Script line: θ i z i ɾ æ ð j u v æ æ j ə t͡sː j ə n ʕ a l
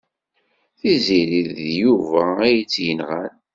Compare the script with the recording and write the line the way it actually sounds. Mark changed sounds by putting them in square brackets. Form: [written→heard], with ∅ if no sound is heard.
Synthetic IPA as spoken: θ i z i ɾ [æ→i] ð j u v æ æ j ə t͡sː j ə n [ʕ→ʁ] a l